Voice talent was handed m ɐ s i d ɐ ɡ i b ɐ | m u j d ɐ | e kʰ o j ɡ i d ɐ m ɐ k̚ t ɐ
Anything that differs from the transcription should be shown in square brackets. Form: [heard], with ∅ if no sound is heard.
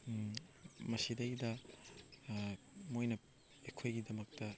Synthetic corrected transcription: m ɐ s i d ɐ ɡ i [d] ɐ | m [o] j [n] ɐ | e kʰ o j ɡ i d ɐ m ɐ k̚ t ɐ